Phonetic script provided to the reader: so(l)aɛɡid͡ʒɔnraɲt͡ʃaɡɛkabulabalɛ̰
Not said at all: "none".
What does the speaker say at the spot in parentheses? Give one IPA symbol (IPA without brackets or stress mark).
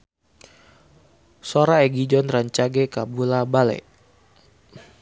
ɾ